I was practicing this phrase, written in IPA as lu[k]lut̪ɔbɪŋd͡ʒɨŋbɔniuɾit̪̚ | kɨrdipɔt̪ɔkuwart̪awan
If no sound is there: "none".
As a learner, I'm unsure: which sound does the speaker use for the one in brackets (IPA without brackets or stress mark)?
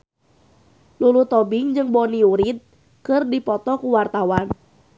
none